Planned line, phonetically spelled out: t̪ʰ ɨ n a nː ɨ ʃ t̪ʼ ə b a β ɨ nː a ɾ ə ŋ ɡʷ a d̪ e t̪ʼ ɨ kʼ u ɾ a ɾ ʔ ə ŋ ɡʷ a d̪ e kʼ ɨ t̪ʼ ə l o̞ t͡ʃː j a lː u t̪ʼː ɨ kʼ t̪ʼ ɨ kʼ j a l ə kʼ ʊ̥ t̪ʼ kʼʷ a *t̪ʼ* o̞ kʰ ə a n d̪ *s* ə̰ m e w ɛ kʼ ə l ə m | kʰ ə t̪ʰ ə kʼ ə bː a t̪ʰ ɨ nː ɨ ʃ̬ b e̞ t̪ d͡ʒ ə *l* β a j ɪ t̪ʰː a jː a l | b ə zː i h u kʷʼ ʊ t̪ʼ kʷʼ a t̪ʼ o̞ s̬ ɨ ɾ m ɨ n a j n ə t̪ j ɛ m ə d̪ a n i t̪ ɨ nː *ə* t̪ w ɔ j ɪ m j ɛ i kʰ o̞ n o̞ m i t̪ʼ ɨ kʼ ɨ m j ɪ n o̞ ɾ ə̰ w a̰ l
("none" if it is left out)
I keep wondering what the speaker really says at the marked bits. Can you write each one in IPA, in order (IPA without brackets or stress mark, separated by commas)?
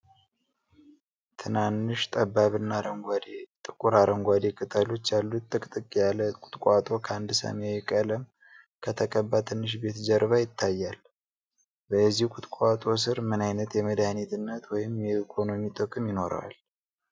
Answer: t̪ʼ, s, ɾ, ə